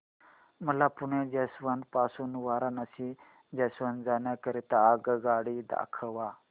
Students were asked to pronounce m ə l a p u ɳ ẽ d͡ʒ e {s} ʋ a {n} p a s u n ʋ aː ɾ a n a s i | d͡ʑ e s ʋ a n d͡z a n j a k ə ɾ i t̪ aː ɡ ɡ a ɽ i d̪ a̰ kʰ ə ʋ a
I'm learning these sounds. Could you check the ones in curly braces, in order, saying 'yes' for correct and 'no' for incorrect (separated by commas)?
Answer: yes, yes